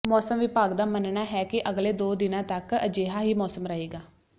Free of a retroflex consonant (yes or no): yes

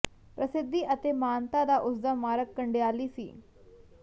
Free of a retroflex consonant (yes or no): no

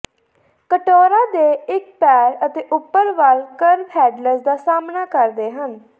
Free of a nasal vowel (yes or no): yes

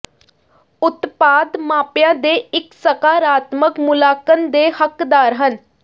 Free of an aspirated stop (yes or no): yes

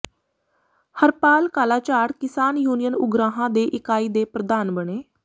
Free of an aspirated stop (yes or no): yes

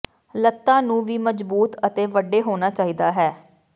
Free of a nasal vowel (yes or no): no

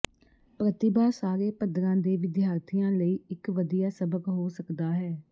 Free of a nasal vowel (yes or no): no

